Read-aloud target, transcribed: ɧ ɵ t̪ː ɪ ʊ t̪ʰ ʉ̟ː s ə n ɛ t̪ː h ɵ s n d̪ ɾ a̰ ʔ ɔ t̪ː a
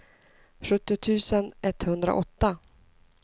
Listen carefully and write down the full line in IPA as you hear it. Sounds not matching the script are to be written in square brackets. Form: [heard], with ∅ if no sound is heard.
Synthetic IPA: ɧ ɵ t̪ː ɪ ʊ t̪ʰ ʉ̟ː s ə n ɛ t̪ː h ɵ [∅] n d̪ ɾ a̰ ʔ ɔ t̪ː a